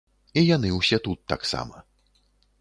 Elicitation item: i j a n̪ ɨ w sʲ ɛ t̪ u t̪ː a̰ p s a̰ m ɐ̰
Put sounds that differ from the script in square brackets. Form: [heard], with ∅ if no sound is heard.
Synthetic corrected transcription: i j a n̪ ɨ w sʲ ɛ t̪ u t̪ː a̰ [k] s a̰ m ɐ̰